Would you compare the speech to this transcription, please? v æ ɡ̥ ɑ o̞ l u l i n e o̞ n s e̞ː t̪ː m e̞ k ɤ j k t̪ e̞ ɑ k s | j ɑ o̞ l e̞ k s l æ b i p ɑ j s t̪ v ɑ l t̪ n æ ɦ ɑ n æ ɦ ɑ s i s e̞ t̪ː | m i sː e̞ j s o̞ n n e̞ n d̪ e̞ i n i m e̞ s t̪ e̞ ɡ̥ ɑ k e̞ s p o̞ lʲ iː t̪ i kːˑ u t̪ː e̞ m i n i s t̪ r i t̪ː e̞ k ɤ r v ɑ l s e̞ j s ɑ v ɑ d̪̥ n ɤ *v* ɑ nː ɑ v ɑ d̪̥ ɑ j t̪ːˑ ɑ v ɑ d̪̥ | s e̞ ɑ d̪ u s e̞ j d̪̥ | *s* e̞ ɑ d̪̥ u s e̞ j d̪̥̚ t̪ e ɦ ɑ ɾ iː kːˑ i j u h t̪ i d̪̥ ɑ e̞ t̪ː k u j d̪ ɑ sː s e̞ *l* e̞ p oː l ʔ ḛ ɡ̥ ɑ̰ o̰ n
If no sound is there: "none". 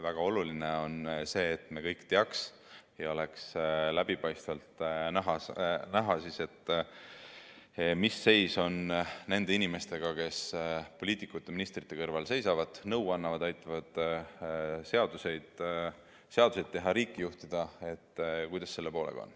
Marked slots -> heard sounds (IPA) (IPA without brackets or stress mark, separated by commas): w, s, lː